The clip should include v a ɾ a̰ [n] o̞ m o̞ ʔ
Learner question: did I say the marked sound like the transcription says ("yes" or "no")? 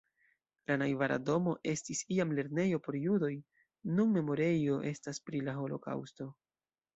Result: no